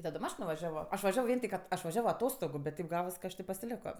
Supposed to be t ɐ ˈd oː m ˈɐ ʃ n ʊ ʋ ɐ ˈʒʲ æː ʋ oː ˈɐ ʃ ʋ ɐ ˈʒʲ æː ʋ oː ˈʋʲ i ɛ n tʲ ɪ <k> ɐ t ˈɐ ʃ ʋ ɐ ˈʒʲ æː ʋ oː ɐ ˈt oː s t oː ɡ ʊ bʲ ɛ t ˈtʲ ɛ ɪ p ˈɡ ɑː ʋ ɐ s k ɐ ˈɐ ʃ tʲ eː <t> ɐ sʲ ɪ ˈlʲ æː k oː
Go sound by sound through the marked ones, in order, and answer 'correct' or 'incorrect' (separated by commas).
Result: correct, incorrect